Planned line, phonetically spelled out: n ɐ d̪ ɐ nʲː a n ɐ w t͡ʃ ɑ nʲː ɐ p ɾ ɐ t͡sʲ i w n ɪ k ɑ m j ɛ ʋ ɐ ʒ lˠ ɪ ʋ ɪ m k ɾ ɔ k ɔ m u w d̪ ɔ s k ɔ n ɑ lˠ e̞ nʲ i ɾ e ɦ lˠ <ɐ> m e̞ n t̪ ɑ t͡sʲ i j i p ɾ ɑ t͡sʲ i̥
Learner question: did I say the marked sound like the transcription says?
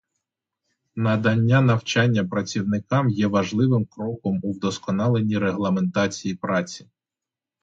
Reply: yes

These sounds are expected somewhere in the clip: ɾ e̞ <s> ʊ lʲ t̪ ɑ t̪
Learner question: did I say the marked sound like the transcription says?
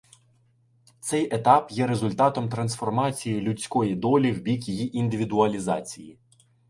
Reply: no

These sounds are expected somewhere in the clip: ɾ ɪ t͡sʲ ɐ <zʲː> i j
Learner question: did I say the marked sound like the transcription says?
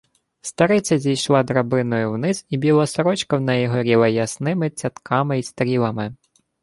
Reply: no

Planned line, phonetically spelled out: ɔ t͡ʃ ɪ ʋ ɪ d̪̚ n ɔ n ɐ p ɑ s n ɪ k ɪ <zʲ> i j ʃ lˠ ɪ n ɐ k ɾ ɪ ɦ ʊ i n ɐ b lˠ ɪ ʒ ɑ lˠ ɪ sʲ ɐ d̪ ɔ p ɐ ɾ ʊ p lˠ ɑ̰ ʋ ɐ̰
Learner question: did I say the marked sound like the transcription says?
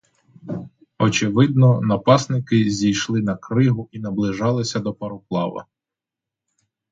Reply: yes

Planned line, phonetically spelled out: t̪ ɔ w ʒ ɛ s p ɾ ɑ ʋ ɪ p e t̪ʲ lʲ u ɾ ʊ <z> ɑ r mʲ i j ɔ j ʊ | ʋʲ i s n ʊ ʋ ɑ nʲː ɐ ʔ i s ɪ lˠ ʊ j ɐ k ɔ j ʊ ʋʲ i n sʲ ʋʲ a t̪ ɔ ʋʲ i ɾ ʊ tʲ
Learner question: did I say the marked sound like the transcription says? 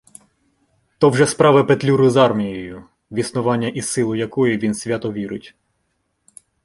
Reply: yes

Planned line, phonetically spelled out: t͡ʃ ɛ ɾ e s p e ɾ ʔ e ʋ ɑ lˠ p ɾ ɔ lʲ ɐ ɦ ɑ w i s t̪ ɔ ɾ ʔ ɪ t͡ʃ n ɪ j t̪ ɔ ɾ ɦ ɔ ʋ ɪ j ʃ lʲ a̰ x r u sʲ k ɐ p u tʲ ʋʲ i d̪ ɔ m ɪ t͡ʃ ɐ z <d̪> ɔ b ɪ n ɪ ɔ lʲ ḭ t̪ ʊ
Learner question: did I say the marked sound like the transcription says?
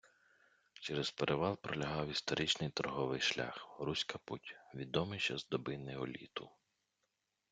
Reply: yes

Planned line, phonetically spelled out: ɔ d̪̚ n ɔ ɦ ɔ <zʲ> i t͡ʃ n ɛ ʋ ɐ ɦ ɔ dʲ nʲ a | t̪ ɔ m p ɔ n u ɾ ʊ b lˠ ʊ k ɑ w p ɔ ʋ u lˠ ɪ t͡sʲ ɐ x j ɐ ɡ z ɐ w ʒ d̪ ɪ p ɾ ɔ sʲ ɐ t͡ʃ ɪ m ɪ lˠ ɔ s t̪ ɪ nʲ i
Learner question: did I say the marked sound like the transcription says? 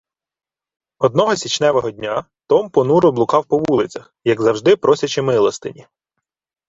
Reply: no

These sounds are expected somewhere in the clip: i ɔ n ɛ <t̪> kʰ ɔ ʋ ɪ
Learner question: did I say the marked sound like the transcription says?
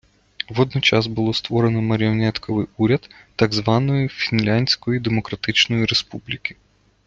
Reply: yes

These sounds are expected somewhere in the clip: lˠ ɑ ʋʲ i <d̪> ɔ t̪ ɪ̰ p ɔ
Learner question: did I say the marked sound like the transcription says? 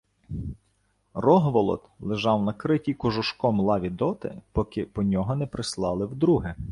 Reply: yes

